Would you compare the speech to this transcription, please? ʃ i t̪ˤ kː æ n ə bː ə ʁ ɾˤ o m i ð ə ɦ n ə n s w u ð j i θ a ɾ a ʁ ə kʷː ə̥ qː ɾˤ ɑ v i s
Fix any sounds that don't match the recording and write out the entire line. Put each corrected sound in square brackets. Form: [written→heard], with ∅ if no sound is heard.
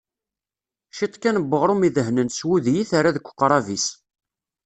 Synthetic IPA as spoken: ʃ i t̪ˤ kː æ n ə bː ə ʁ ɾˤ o m i ð ə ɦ n ə n s w u ð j i θ a ɾ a [ʁ→ð] ə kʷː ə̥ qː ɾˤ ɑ v i s